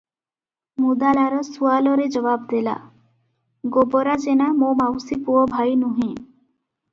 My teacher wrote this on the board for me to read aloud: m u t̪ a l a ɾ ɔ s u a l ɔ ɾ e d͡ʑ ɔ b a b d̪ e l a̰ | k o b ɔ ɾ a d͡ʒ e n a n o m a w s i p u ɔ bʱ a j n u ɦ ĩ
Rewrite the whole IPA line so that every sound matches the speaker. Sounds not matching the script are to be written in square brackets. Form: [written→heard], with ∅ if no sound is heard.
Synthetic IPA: m u [t̪→d̪] a l a ɾ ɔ s u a l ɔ ɾ e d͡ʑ ɔ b a b d̪ e l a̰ | [k→ɡ] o b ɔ ɾ a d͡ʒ e n a [n→m] o m a w s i p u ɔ bʱ a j n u ɦ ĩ